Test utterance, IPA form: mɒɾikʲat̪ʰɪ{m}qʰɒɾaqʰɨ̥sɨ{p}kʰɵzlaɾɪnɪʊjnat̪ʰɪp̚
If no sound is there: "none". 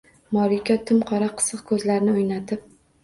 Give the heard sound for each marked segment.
m, q

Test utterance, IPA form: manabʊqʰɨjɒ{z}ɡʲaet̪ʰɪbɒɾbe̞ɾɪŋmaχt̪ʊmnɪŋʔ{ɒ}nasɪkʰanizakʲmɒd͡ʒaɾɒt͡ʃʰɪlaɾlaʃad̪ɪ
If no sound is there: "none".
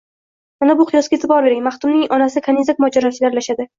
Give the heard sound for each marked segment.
s, ɒ

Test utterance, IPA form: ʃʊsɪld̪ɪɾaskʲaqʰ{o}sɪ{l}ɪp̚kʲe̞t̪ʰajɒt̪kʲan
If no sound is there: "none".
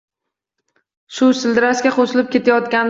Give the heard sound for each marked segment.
o, l

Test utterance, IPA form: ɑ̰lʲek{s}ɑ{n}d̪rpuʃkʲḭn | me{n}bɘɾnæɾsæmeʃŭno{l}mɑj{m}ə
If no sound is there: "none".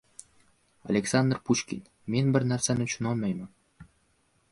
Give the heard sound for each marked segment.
s, n, n, l, m

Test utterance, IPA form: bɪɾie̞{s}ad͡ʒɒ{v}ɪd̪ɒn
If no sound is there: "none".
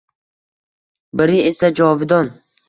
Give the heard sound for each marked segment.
s, v

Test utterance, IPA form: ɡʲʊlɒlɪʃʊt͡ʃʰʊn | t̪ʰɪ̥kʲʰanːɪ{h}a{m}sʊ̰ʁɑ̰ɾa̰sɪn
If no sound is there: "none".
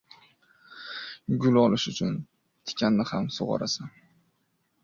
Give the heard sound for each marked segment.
h, m

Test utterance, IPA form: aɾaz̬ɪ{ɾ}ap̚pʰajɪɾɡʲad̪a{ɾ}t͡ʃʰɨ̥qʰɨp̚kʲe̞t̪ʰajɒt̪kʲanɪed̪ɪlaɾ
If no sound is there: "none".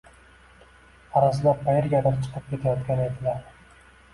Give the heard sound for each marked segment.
l, ɾ

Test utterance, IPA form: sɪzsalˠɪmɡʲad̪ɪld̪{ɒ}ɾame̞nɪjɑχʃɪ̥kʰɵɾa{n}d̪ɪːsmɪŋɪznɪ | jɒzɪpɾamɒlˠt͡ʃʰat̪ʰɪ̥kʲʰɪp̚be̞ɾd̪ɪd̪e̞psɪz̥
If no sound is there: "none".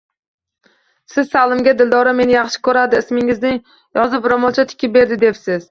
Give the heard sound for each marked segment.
ɒ, none

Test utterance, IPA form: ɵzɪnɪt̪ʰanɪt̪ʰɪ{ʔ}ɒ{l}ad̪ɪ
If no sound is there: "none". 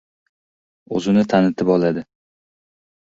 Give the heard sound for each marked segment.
p, l

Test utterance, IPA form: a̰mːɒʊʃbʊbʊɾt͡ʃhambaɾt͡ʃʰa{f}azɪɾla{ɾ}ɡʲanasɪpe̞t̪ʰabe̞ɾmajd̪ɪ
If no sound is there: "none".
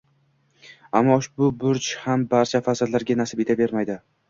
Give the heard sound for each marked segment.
f, ɾ

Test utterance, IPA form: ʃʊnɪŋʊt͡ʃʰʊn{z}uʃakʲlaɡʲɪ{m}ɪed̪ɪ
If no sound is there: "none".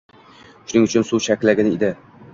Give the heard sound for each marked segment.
s, n

